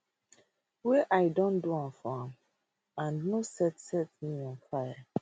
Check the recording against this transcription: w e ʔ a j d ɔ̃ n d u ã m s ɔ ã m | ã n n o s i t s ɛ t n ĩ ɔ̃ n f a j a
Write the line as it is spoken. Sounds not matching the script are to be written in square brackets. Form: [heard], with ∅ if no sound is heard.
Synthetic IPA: w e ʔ a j d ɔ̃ n d u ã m [f] ɔ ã m | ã n n o s [ɛ] t s ɛ t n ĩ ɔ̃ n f a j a

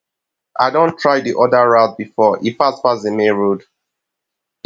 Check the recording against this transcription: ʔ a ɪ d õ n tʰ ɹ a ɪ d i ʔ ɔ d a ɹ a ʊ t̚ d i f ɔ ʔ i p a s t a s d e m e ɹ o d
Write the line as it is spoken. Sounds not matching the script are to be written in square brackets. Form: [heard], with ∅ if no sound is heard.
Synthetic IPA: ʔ a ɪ d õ n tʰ ɹ a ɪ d i ʔ ɔ d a ɹ a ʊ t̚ [b] i f ɔ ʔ i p a s [p] a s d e m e ɹ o d

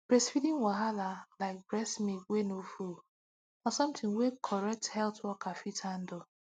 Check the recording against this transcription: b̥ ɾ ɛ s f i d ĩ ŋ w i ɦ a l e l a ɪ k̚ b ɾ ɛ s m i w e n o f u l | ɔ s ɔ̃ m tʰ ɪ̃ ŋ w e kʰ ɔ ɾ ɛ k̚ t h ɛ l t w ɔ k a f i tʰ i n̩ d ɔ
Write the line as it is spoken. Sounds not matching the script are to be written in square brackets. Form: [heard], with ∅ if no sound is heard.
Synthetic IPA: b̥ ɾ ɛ s f i d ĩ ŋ w [a] ɦ a l [a] l a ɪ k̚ b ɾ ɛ s m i w e n o f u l | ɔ s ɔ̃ m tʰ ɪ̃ ŋ w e kʰ ɔ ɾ ɛ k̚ t h ɛ l t w ɔ k a f i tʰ [a] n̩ d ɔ

